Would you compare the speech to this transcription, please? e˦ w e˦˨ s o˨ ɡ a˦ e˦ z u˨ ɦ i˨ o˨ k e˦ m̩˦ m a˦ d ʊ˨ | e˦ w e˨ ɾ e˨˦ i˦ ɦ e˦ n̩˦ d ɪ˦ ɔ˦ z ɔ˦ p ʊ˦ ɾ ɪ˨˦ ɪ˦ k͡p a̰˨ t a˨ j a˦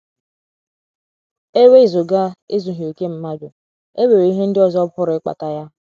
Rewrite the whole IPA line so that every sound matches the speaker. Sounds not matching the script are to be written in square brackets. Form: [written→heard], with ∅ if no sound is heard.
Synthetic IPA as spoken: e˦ w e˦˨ [s→z] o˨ ɡ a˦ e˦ z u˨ ɦ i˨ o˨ k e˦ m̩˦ m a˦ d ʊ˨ | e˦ w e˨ ɾ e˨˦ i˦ ɦ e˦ n̩˦ d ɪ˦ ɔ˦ z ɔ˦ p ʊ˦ ɾ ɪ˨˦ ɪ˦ k͡p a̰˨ t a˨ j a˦